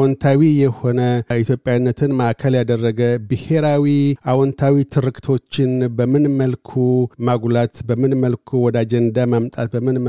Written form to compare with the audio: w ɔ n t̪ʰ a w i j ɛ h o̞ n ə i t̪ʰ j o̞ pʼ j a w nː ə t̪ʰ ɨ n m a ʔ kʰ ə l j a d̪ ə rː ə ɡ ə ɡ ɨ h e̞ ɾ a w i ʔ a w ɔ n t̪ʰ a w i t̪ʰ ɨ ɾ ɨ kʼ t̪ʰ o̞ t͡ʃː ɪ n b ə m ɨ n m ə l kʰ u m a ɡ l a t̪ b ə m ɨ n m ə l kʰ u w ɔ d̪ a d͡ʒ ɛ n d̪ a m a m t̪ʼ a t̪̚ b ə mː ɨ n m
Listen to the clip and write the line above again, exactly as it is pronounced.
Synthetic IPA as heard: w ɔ n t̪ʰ a w i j ɛ h o̞ n ə i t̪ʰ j o̞ pʼ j a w nː ə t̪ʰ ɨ n m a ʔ kʰ ə l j a d̪ ə rː ə ɡ ə b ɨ h e̞ ɾ a w i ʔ a w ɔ n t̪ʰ a w i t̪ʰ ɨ ɾ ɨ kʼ t̪ʰ o̞ t͡ʃː ɪ n b ə m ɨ n m ə l kʰ u m a ɡ l a t̪ b ə m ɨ n m ə l kʰ u w ɔ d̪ a d͡ʒ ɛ n d̪ a m a m t̪ʼ a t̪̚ b ə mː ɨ n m